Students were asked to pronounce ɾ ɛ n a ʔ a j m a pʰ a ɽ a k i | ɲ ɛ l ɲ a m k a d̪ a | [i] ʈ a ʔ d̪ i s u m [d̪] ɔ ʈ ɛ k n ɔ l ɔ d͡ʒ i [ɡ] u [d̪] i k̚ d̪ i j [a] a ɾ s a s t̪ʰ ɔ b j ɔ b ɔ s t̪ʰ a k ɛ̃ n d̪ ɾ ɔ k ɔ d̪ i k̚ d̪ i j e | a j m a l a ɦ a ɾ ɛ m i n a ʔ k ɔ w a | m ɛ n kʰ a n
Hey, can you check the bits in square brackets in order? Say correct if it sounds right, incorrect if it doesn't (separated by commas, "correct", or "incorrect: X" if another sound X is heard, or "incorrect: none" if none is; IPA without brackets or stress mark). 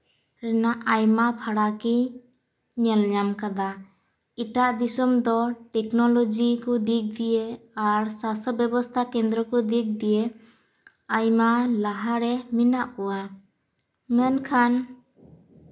correct, correct, incorrect: k, correct, incorrect: e